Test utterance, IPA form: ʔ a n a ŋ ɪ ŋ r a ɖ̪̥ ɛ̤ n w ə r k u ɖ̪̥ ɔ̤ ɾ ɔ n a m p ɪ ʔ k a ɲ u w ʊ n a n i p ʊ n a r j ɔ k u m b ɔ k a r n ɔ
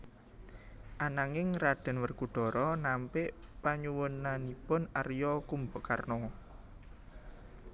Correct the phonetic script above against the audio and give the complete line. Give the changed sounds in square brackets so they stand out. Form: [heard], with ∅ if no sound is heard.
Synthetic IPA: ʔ a n a ŋ ɪ ŋ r a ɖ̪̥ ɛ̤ n w ə r k u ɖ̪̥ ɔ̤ ɾ ɔ n a m p ɪ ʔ [p] a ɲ u w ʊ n a n i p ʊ n a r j ɔ k u m b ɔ k a r n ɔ